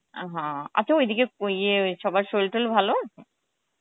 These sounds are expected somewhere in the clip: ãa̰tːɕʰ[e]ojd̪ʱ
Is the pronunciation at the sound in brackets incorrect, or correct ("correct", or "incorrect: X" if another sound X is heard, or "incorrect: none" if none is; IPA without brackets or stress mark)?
incorrect: a